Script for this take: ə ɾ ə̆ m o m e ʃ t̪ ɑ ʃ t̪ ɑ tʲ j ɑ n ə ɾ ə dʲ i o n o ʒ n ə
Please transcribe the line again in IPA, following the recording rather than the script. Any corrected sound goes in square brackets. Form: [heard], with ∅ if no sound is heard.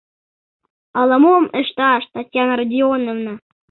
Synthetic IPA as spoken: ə [l] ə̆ m o m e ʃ t̪ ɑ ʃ t̪ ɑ tʲ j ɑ n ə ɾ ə dʲ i o n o [v] n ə